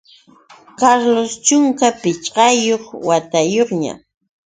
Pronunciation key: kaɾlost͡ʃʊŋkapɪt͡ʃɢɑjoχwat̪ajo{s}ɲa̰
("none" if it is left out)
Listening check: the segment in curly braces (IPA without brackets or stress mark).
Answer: χ